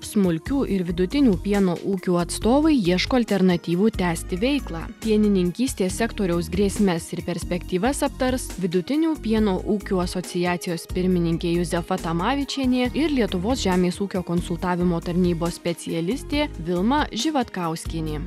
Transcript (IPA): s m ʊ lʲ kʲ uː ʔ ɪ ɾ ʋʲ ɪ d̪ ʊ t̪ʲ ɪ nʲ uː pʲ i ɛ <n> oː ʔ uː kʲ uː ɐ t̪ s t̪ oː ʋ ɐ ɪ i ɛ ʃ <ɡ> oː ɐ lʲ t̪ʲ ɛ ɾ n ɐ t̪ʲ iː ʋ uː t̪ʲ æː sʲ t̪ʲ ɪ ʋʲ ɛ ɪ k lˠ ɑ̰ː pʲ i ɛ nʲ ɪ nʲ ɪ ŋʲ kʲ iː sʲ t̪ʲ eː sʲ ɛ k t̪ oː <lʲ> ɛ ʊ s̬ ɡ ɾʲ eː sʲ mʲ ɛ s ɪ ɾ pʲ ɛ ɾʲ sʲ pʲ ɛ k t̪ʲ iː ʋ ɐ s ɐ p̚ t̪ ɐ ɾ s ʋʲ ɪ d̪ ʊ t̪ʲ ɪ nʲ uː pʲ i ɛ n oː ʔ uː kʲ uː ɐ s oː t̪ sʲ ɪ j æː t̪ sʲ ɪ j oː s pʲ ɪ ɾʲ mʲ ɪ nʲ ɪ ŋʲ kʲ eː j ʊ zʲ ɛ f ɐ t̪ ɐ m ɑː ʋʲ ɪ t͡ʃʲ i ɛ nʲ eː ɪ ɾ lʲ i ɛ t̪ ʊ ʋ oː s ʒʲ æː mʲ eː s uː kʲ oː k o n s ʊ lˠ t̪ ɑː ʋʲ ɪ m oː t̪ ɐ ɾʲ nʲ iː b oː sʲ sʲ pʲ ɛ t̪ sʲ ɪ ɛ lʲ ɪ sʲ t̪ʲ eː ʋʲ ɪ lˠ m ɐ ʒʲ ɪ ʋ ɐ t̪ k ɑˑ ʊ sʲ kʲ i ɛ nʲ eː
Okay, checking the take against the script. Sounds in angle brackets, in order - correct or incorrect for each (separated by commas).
correct, incorrect, incorrect